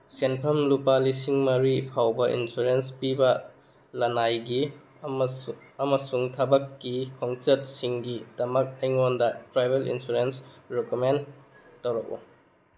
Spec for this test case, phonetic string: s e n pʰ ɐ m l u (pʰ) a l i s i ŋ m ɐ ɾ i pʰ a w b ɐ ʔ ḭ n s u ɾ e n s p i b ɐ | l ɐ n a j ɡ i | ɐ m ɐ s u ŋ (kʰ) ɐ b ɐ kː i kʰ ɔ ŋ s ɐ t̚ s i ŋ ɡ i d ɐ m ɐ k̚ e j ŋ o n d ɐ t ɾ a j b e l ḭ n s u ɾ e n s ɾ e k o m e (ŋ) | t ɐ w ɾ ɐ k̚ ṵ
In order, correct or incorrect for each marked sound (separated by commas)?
incorrect, incorrect, incorrect